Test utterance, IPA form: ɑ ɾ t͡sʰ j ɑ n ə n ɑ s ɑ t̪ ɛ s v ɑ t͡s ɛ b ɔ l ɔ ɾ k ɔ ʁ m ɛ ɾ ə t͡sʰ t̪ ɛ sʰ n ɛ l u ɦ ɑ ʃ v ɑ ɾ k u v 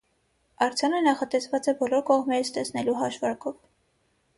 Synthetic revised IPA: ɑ ɾ t͡sʰ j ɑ n ə n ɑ χ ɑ t̪ ɛ s v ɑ t͡s ɛ b ɔ l ɔ ɾ k ɔ ʁ m ɛ ɾ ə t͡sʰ t̪ ɛ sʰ n ɛ l u ɦ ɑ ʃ v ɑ ɾ k ɔ v